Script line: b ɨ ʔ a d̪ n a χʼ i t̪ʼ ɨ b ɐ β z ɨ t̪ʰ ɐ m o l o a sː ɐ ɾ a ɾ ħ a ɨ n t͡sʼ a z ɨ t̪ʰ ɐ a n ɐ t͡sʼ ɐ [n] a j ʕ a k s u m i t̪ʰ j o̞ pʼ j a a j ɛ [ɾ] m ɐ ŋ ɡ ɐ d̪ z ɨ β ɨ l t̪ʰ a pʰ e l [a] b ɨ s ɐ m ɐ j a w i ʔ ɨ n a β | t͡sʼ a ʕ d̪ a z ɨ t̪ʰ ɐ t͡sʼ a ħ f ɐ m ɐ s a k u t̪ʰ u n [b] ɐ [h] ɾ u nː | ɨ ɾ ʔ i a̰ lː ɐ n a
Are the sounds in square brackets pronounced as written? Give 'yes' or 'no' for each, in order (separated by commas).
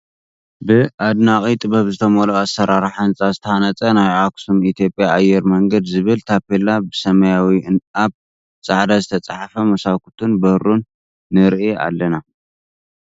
yes, yes, yes, yes, yes